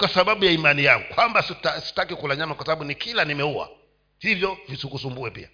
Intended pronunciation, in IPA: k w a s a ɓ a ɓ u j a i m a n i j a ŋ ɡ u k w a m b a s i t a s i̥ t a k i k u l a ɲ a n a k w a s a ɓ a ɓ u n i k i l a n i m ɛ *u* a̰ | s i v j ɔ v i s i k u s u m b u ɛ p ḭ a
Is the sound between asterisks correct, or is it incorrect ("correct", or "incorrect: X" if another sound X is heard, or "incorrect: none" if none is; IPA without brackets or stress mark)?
correct